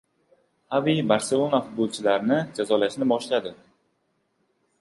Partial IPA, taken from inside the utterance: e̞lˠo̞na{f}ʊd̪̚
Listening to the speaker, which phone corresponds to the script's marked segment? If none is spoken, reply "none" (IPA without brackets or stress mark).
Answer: f